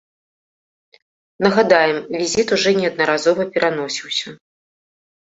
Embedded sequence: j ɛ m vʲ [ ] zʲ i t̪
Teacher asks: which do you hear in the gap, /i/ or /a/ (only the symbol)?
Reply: i